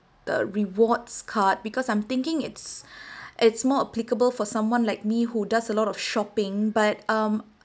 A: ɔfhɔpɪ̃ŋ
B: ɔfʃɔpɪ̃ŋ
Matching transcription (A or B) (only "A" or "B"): B